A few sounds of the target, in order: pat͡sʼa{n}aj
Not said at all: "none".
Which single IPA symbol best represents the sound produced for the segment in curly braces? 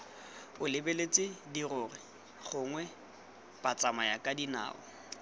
m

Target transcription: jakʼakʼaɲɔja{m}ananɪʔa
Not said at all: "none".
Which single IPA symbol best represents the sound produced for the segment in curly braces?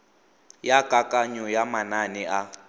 m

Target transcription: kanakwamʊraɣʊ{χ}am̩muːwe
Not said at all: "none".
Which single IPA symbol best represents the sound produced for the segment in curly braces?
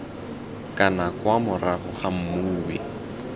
χ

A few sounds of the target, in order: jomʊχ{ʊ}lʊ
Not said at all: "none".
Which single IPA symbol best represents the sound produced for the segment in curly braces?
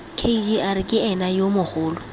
ʊː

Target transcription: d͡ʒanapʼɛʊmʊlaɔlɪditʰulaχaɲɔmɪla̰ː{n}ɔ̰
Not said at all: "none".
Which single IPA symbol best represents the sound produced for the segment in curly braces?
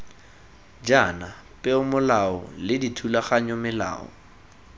none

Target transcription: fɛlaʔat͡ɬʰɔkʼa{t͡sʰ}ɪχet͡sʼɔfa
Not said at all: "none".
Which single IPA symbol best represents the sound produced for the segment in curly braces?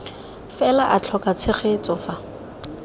t͡sʰ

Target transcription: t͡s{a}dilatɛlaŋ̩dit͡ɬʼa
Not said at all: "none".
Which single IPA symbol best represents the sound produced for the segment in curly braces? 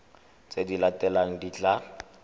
e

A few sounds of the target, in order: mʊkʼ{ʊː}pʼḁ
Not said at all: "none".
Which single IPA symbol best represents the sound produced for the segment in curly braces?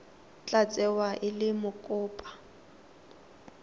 ʊː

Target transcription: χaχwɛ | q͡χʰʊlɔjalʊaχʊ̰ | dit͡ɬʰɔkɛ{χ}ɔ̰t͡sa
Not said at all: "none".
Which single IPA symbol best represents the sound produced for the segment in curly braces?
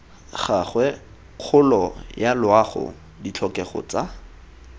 χ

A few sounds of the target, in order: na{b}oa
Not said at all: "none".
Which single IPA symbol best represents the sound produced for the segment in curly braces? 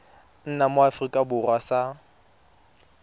m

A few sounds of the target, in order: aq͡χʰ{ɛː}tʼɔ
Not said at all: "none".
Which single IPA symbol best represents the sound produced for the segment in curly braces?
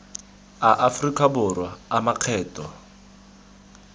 ɛː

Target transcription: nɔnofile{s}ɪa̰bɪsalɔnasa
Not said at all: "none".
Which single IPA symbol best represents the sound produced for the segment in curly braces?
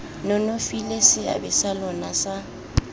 s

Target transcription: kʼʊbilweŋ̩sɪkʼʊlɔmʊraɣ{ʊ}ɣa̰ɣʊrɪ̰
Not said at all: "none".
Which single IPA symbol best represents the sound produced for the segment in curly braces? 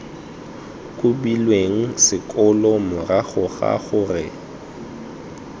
ʊ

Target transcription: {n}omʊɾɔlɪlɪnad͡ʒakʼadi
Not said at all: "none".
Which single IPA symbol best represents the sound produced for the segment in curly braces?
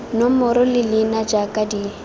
n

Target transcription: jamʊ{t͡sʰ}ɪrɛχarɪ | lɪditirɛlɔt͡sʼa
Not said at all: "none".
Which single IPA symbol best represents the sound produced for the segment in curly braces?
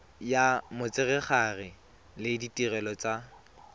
t͡s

